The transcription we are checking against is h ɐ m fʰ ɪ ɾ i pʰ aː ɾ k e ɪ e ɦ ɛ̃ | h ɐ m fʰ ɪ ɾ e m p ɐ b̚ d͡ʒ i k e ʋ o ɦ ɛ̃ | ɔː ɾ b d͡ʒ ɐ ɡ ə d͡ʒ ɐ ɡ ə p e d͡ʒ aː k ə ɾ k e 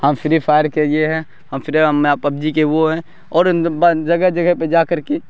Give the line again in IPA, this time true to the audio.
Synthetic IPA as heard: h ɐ m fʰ ɪ ɾ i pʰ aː ɾ k e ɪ e ɦ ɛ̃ | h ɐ m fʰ ɪ ɾ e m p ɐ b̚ d͡ʒ i k e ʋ o ɦ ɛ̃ | ɔː ɾ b d͡ʒ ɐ ɡ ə d͡ʒ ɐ ɡ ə p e d͡ʒ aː k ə ɾ k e